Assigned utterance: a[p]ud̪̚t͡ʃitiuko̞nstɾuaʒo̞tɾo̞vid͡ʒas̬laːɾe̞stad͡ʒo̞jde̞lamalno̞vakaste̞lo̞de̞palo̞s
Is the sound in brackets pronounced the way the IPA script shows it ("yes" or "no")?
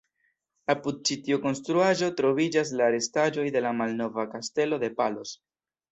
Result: yes